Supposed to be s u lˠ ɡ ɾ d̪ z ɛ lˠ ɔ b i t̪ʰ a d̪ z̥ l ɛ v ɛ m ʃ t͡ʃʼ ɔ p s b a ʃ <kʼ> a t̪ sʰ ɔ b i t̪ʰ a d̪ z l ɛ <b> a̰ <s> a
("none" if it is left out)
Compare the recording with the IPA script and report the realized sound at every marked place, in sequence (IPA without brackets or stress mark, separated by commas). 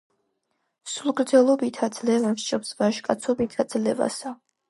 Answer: kʼ, v, s